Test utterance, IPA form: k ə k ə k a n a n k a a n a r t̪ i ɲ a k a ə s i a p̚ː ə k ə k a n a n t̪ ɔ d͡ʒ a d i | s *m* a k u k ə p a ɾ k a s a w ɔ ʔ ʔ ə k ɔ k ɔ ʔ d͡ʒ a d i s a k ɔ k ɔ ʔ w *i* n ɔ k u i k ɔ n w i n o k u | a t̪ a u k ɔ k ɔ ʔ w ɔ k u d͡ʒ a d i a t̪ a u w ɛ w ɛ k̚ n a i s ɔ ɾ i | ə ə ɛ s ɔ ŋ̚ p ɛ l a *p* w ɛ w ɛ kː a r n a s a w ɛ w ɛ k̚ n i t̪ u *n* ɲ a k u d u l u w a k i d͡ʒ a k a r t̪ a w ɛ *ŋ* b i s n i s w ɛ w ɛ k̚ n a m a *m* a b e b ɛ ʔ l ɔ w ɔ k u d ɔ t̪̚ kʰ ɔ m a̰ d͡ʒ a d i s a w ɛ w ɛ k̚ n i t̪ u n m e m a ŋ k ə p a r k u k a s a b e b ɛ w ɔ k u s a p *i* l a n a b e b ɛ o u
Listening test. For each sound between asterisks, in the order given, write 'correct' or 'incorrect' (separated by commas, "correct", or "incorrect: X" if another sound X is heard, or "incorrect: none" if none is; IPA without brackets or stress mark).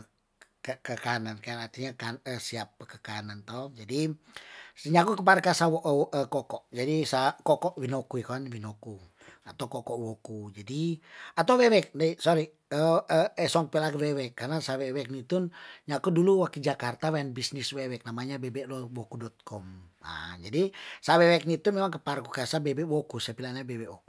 incorrect: ɲ, correct, incorrect: k, correct, incorrect: n, incorrect: ɲ, correct